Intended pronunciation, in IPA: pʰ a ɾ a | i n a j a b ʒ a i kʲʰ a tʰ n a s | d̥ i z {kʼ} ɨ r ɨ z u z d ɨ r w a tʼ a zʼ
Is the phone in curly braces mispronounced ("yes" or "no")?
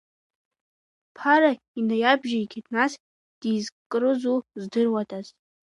no